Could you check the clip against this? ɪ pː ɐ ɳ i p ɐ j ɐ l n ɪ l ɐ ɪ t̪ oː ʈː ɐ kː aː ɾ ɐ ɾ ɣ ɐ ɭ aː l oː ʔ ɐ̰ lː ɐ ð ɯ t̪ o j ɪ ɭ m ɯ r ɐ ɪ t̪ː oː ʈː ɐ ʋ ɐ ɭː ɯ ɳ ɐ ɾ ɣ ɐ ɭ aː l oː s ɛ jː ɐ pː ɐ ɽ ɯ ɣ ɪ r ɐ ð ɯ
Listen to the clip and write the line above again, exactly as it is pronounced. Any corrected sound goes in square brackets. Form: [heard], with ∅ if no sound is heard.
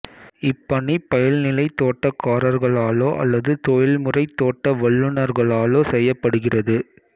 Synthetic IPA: ɪ pː ɐ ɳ i p ɐ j ɐ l n ɪ l ɐ ɪ t̪ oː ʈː ɐ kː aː ɾ ɐ ɾ ɣ ɐ ɭ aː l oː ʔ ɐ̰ lː ɐ ð ɯ t̪ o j ɪ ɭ m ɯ r ɐ ɪ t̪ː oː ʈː ɐ ʋ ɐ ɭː ɯ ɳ ɐ ɾ ɣ ɐ ɭ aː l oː s ɛ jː ɐ pː ɐ ɽ ɯ ɣ ɪ r ɐ ð ɯ